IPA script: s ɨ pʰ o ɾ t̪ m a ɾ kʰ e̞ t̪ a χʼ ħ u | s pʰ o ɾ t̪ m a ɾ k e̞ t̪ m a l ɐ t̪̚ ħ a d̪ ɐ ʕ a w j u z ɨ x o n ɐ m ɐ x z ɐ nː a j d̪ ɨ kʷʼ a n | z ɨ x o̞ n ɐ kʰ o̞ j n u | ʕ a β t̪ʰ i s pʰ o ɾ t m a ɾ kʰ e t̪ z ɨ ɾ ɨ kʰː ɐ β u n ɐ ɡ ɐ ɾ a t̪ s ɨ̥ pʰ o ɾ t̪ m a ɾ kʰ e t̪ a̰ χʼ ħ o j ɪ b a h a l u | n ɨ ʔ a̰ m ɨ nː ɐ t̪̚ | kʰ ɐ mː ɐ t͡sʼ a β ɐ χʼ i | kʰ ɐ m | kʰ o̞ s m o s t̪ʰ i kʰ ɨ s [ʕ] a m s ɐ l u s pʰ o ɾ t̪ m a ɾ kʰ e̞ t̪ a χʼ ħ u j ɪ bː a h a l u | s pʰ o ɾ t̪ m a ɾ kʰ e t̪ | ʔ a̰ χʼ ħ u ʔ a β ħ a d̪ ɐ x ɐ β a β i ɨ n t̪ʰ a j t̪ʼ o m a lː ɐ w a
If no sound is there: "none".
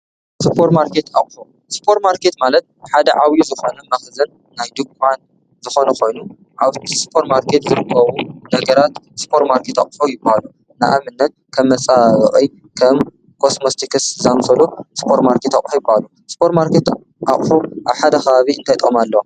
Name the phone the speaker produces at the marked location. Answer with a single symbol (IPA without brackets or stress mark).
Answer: z